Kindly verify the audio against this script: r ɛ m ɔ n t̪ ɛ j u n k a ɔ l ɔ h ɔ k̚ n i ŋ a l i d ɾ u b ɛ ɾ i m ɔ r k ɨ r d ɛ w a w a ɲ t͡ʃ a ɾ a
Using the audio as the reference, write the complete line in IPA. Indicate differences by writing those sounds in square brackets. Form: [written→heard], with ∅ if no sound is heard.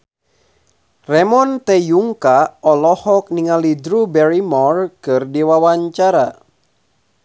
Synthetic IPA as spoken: r ɛ m ɔ n t̪ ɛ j u [n→ŋ] k a ɔ l ɔ h ɔ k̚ n i ŋ a l i d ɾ u b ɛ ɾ i m ɔ r k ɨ r d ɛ w a w a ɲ t͡ʃ a ɾ a